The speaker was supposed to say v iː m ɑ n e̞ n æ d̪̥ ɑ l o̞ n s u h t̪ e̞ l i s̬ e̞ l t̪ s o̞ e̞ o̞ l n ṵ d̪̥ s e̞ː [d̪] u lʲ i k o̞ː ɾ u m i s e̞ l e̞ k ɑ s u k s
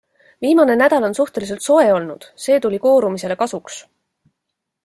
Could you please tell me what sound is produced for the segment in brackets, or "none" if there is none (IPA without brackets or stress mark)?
t̪